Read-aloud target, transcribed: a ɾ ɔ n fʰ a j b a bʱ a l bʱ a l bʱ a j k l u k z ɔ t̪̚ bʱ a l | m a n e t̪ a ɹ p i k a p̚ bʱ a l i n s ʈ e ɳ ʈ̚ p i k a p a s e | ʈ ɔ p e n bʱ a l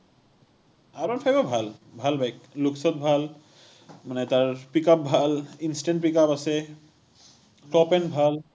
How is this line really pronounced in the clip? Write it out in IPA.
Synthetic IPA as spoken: a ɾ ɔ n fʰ a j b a bʱ a l bʱ a l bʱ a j k l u k s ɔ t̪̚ bʱ a l | m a n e t̪ a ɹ p i k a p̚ bʱ a l i n s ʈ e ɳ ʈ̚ p i k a p a s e | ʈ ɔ p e n bʱ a l